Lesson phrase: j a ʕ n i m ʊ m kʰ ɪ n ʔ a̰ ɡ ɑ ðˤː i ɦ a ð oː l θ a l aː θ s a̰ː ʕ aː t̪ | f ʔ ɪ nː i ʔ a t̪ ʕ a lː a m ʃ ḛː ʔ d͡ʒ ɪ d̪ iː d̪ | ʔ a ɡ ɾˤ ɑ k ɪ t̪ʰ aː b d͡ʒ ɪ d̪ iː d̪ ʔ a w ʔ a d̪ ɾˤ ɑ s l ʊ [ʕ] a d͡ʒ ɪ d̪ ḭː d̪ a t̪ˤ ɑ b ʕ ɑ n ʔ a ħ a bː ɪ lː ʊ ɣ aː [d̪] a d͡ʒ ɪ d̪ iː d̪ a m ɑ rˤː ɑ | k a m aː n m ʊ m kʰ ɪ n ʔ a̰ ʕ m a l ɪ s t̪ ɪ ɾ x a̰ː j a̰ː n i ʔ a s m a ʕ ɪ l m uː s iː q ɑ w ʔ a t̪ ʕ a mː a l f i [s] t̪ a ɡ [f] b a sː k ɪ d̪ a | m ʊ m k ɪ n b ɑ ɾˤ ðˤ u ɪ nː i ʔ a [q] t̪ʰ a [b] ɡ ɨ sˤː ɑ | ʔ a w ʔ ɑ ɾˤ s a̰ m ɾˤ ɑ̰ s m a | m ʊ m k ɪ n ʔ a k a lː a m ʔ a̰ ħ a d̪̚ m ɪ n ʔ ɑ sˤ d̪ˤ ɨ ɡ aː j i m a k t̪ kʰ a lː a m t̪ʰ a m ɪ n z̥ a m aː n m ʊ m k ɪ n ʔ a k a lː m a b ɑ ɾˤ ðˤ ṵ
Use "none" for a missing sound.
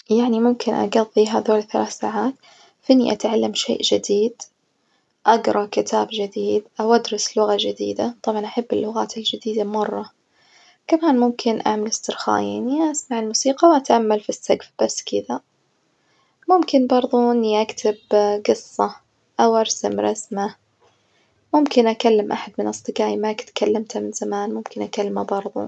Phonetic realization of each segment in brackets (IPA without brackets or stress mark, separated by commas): ɣ, t̪, s, f, k, b